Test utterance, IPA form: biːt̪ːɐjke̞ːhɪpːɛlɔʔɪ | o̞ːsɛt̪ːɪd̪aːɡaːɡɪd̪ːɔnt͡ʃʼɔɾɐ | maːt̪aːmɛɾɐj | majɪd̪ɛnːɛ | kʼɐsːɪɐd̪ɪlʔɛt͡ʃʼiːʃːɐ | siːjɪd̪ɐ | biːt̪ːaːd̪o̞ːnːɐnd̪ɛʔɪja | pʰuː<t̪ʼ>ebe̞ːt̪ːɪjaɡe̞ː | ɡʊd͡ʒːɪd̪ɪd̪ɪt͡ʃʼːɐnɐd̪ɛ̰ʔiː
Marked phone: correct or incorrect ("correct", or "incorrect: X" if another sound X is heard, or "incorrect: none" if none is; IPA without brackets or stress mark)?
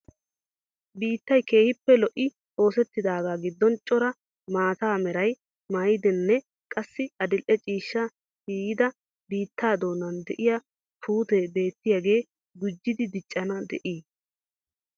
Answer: incorrect: t̪